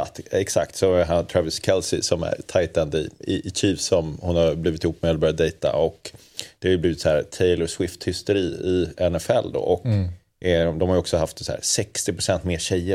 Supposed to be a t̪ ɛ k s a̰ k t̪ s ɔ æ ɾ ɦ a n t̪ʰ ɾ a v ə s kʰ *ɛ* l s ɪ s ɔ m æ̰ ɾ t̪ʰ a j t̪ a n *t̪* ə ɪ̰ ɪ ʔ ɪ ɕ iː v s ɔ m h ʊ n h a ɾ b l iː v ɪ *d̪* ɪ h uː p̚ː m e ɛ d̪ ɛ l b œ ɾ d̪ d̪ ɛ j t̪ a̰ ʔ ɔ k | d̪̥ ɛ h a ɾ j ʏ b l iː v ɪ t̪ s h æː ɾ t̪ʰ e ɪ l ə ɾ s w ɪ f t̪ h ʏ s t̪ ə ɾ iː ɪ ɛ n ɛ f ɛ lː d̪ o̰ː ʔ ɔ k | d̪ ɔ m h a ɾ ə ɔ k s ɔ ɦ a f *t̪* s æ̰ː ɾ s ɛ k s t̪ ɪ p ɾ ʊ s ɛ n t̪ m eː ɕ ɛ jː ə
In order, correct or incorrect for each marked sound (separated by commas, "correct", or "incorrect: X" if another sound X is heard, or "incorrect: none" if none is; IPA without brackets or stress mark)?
correct, incorrect: d̪, incorrect: t̪, correct